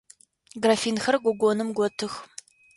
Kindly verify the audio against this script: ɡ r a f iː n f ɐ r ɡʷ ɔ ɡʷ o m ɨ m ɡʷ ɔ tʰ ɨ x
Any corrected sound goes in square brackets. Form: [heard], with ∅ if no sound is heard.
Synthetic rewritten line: ɡ r a f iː n [x] ɐ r ɡʷ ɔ ɡʷ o [n] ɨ m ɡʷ ɔ tʰ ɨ x